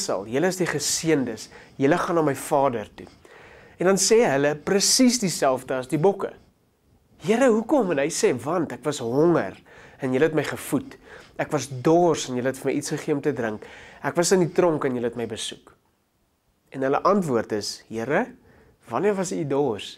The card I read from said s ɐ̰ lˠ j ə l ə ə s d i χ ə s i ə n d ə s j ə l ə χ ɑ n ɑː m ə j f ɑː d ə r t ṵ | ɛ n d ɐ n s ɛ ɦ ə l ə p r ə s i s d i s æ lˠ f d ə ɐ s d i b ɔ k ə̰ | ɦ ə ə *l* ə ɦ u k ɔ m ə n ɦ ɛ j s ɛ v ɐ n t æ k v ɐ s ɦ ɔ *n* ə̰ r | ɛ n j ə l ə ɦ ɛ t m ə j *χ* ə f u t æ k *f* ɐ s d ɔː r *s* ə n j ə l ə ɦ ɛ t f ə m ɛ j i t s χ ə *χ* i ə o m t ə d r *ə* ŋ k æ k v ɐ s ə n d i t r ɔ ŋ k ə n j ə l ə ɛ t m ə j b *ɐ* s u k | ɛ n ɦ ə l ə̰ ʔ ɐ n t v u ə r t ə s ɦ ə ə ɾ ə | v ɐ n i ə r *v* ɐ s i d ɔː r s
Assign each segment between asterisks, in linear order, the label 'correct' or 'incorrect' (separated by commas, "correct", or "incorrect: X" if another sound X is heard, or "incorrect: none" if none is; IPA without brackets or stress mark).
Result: incorrect: ɾ, incorrect: ŋ, correct, incorrect: v, correct, correct, correct, incorrect: ə, correct